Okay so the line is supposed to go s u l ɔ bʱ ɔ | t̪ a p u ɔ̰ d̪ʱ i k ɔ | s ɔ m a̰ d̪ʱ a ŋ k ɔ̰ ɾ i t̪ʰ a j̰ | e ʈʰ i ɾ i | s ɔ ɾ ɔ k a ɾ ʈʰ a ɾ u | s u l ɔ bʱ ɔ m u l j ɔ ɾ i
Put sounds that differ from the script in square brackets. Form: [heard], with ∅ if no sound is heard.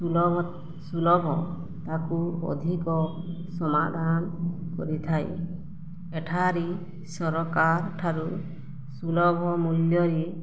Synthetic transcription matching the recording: s u l ɔ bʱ ɔ | t̪ a [k] u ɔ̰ d̪ʱ i k ɔ | s ɔ m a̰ d̪ʱ a [n] k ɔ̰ ɾ i t̪ʰ a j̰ | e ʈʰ [a] ɾ i | s ɔ ɾ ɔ k a ɾ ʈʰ a ɾ u | s u l ɔ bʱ ɔ m u l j ɔ ɾ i